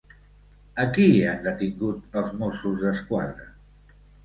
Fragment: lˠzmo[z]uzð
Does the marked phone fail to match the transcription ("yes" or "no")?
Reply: yes